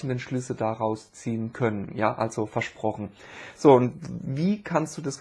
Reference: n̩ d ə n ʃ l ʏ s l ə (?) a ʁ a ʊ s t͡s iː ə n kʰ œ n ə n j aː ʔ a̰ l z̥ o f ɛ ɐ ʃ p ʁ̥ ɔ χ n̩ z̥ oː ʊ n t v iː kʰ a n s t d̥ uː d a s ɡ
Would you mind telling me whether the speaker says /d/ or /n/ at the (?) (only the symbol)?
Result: d